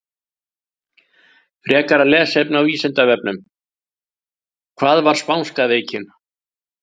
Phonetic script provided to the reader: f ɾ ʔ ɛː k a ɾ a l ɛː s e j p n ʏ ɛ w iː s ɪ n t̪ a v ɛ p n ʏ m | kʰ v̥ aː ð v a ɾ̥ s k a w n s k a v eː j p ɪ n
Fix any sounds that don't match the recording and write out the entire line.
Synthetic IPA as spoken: f ɾ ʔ ɛː k a ɾ a l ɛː s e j p n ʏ a w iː s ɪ n t̪ a v ɛ p n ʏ m | kʰ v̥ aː ð v a ɾ̥ s p a w n s k a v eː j c ɪ n